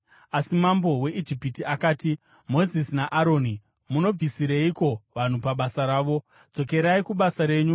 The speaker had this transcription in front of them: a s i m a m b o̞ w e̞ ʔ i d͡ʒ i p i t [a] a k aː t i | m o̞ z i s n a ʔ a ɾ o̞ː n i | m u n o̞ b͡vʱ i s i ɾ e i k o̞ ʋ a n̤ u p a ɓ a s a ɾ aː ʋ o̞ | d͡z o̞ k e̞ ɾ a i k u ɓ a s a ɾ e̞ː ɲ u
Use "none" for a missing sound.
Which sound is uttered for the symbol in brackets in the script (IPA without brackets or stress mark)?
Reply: i